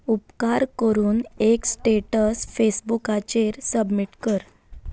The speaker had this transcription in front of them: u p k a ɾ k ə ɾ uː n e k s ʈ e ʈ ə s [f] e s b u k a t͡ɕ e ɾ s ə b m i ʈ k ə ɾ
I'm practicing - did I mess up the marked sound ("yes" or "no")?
no